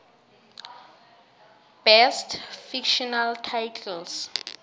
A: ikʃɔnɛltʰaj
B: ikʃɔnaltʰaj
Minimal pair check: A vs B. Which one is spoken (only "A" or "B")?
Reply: B